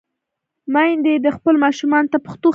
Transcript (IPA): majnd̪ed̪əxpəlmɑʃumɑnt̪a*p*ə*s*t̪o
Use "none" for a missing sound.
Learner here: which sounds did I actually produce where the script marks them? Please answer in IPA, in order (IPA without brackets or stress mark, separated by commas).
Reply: p, x